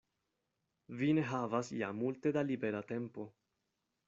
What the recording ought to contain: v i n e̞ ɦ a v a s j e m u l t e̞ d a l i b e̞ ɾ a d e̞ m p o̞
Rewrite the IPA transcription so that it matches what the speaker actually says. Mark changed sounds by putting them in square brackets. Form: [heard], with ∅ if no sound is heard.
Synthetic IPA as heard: v i n e̞ ɦ a v a s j [a] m u l t e̞ d a l i b e̞ ɾ a [t] e̞ m p o̞